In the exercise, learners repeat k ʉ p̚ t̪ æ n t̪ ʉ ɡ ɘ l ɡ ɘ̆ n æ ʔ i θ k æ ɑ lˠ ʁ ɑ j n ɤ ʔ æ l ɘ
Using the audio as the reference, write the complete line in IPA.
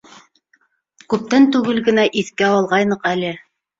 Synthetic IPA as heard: k ʉ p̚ t̪ æ n t̪ ʉ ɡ ɘ l ɡ ɘ̆ n æ ʔ i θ k æ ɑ lˠ ʁ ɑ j n ɤ q æ l ɘ